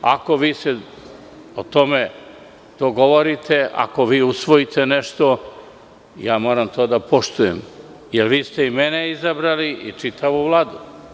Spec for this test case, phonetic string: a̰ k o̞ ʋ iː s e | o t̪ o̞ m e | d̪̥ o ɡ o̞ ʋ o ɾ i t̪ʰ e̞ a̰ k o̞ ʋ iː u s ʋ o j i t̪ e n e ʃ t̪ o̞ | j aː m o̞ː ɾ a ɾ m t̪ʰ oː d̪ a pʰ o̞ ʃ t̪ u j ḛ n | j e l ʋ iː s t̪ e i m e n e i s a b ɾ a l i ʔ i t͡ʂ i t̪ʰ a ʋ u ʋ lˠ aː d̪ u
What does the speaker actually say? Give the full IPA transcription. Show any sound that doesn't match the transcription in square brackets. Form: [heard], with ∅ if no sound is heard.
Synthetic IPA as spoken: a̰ k o̞ ʋ iː s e | o t̪ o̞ m e | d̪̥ o ɡ o̞ ʋ o ɾ i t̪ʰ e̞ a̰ k o̞ ʋ iː u s ʋ o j i t̪ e n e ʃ t̪ o̞ | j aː m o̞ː ɾ a [∅] m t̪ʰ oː d̪ a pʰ o̞ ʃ t̪ u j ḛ [m] | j e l ʋ iː s t̪ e i m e n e i [z] a b ɾ a l i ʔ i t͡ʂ i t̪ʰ a ʋ u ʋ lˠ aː d̪ u